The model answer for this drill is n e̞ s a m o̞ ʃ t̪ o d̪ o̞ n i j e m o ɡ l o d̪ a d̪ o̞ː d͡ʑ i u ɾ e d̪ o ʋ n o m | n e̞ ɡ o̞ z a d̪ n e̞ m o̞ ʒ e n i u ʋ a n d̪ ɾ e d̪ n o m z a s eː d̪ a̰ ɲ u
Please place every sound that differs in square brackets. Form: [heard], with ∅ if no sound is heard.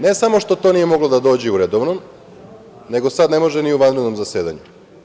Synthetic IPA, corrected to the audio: n e̞ s a m o̞ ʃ t̪ o [t̪] o̞ n i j e m o ɡ l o d̪ a d̪ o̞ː d͡ʑ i u ɾ e d̪ o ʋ n o m | n e̞ ɡ o̞ [s] a d̪ n e̞ m o̞ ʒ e n i u ʋ a n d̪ ɾ e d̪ n o m z a s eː d̪ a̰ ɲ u